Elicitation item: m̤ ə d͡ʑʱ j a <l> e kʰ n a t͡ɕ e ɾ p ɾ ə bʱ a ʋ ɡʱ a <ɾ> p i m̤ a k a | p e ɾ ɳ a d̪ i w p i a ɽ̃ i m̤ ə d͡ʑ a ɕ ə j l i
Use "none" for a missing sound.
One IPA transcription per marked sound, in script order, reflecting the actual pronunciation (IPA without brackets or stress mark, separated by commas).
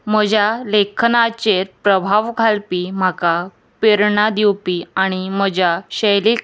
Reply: l, l